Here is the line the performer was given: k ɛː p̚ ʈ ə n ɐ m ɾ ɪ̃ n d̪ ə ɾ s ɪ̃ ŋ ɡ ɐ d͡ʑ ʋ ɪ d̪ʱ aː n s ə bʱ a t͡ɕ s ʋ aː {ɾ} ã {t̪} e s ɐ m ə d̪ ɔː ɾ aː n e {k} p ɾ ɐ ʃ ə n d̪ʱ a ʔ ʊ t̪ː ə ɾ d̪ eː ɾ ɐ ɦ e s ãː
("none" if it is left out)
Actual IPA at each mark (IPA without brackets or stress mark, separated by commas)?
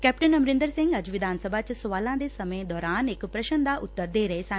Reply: l, d̪, k